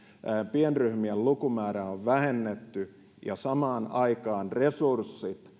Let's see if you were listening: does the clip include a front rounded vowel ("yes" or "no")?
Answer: yes